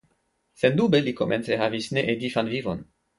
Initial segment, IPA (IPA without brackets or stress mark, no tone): s